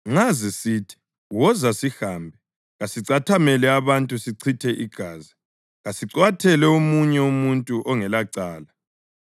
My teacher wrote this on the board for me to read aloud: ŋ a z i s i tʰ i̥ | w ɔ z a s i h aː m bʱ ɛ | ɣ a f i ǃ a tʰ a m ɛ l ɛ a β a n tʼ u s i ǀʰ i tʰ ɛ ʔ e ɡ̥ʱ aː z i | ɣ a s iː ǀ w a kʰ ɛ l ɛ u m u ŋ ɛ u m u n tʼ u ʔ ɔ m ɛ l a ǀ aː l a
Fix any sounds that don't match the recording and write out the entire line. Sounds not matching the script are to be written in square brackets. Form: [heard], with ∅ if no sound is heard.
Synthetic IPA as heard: ŋ a z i s i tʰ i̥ | w ɔ z a s i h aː m bʱ ɛ | ɣ a [s] i [ǀ] a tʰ a m ɛ l ɛ a β a n tʼ u s i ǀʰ i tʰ ɛ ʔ [i] ɡ̥ʱ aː z i | ɣ a s [i] ǀ w a [tʰ] ɛ l ɛ u m u [ɲ] ɛ u m u n tʼ u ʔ ɔ [ŋ] ɛ l a ǀ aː l a